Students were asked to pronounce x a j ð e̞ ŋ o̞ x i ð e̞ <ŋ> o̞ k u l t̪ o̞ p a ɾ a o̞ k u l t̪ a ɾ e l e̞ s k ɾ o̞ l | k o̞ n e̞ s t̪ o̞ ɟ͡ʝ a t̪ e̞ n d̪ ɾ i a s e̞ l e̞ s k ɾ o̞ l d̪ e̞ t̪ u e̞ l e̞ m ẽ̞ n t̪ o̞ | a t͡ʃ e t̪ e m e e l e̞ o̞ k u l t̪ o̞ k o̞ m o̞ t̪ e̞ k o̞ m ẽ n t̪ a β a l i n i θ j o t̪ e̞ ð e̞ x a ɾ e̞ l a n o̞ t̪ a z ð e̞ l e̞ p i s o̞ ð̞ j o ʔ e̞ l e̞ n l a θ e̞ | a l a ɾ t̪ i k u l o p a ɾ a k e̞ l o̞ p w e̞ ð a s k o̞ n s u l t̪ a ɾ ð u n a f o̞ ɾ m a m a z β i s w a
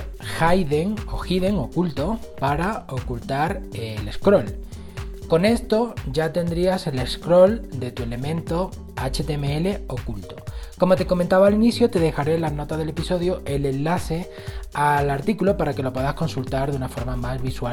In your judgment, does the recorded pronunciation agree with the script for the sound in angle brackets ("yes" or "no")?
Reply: yes